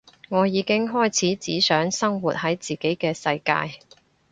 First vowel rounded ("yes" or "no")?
yes